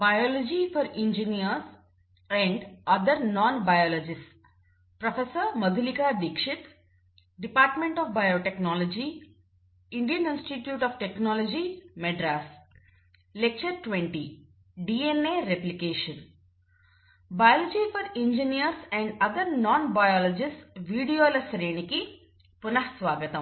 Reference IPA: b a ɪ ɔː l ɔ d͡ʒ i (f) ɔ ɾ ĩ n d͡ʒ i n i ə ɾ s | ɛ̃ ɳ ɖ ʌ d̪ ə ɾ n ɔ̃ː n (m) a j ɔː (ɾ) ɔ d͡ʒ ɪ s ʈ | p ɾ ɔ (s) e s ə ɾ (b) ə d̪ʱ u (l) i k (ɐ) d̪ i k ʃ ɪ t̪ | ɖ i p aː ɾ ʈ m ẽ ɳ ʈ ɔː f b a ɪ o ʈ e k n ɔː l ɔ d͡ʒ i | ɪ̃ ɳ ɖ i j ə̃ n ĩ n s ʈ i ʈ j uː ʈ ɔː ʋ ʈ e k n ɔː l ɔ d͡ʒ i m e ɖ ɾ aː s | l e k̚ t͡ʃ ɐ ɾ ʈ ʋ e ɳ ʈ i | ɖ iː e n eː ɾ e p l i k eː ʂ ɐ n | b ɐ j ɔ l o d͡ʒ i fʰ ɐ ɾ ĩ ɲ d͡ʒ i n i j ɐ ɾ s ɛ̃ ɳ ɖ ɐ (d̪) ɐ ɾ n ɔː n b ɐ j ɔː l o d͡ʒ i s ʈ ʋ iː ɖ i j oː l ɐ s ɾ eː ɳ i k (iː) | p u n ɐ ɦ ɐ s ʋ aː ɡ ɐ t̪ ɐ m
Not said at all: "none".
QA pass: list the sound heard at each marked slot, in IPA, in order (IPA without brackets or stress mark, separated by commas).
f, b, l, f, m, l, a, d̪, i